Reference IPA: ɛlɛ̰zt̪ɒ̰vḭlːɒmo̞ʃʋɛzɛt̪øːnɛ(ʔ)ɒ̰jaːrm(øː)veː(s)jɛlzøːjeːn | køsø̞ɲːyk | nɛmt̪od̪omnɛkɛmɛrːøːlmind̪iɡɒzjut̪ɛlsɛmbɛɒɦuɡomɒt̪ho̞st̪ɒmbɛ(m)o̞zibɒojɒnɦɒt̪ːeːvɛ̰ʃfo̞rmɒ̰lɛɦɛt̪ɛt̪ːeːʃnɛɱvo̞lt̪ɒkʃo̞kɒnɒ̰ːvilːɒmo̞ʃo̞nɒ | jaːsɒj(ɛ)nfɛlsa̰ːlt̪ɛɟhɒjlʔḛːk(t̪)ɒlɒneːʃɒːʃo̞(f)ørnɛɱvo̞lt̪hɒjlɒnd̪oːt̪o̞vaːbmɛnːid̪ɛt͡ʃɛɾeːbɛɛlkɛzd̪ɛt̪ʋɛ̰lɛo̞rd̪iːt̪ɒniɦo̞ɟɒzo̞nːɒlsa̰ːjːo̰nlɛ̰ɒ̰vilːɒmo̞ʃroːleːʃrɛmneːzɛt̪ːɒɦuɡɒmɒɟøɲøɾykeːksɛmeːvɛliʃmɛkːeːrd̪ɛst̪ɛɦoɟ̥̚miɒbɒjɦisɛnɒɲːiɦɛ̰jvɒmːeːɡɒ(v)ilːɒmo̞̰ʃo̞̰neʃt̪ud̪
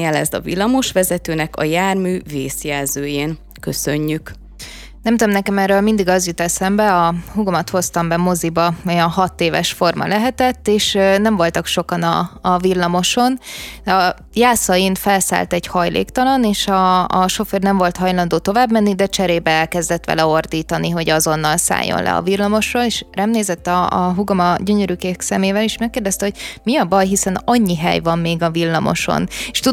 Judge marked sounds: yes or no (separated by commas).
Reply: no, no, yes, yes, no, yes, yes, yes